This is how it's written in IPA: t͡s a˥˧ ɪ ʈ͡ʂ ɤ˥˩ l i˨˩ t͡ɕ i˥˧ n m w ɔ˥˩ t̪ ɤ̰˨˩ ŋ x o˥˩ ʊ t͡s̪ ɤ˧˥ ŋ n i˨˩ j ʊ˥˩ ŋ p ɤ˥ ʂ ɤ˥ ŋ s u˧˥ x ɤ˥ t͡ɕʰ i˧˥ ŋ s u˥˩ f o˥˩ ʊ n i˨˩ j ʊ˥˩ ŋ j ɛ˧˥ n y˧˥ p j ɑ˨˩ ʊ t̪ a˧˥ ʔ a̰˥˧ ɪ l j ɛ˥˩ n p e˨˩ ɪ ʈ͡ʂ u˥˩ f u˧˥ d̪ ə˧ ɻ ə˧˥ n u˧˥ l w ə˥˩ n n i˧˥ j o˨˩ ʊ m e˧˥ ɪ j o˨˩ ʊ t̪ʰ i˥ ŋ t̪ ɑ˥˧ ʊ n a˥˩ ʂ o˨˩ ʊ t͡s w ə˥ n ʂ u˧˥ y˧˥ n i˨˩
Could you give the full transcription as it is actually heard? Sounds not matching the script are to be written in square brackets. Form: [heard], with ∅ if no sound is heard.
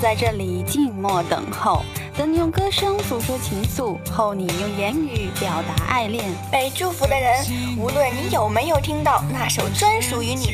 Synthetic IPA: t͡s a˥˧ ɪ ʈ͡ʂ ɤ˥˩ l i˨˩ t͡ɕ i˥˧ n m w ɔ˥˩ t̪ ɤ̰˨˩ ŋ x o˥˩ ʊ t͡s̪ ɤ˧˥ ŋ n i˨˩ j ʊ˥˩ ŋ [k] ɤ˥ ʂ ɤ˥ ŋ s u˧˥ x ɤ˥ t͡ɕʰ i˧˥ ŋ s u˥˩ [x] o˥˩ ʊ n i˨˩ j ʊ˥˩ ŋ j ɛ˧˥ n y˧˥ p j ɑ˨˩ ʊ t̪ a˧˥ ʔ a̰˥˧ ɪ l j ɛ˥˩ n p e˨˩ ɪ ʈ͡ʂ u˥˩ f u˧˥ d̪ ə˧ ɻ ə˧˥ n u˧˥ l w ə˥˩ n n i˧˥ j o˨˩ ʊ m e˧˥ ɪ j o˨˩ ʊ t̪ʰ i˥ ŋ t̪ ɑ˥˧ ʊ n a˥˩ ʂ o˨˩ ʊ t͡s w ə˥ n ʂ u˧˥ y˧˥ n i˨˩